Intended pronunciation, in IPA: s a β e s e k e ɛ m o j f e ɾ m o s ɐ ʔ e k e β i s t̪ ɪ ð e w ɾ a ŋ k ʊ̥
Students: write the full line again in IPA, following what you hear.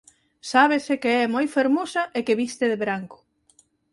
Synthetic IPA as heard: s a β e s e k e ɛ m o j f e ɾ m o s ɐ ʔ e k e β i s t̪ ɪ ð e β ɾ a ŋ k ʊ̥

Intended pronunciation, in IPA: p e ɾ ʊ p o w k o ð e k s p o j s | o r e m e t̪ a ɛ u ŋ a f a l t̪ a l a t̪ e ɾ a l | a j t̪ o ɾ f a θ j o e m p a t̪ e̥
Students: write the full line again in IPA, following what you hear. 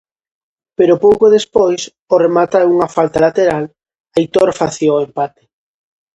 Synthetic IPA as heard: p e ɾ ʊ p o w k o ð e s p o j s | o r e m a t̪ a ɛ u ŋ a f a l t̪ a l a t̪ e ɾ a l | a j t̪ o ɾ f a θ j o e m p a t̪ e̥

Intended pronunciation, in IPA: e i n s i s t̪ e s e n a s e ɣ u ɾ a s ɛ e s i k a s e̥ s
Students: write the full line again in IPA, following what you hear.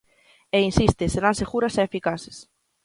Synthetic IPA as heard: e i n s i s t̪ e s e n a s e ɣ u ɾ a s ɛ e f i k a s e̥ s

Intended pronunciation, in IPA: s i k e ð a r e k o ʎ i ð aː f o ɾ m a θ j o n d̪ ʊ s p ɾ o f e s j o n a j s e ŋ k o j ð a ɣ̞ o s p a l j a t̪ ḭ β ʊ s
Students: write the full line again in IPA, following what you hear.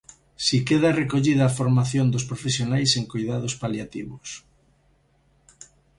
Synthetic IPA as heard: s i k e ð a r e k o ʎ i ð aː f o ɾ m a θ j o n d̪ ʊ s p ɾ o f e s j o n a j s e ŋ k o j ð a ð̞ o s p a l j a t̪ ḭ β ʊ s

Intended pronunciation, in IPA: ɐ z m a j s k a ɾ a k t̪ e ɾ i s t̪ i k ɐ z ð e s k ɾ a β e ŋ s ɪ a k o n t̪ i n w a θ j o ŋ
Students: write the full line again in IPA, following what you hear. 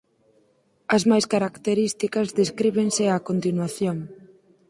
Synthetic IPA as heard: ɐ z m a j s k a ɾ a k t̪ e ɾ i s t̪ i k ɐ z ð e s k ɾ i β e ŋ s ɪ a k o n t̪ i n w a θ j o ŋ

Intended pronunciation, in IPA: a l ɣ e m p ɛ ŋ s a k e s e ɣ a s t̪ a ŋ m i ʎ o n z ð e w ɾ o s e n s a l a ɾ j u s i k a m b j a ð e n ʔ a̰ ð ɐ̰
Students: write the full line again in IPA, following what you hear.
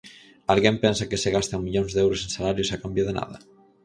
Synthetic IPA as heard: a l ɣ e m p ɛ n s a k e s e ɣ a s t̪ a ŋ m i ʎ o n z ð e w ɾ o s e n s a l a ɾ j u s a k a m b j a ð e n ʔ a̰ ð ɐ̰

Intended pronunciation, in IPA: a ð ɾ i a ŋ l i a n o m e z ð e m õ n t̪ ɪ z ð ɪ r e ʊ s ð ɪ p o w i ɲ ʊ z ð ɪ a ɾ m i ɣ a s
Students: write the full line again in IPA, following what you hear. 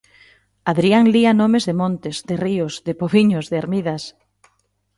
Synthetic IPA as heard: a ð ɾ i a ŋ l i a n o m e z ð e m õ n t̪ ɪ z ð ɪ r i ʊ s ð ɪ p o β i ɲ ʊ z ð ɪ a ɾ m i ð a s

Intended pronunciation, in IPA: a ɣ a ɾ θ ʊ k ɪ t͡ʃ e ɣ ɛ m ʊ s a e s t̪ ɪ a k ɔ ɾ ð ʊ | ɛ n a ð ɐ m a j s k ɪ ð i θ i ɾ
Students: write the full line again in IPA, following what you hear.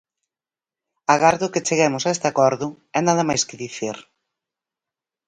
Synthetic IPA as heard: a ɣ a ɾ ð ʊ k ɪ t͡ʃ e ɣ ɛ m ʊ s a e s t̪ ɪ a k ɔ ɾ ð ʊ | ɛ n a ð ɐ m a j s k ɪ ð i θ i ɾ

